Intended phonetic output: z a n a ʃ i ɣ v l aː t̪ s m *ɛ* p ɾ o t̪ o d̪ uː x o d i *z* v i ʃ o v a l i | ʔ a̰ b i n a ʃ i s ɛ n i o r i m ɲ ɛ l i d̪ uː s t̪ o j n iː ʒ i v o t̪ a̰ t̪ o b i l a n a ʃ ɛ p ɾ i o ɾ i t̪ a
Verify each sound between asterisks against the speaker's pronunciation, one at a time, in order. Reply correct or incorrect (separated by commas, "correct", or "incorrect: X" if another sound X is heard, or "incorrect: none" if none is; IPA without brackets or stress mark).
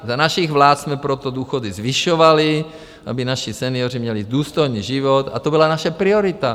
correct, correct